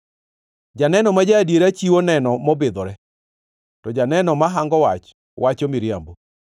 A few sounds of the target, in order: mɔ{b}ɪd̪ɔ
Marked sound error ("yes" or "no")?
no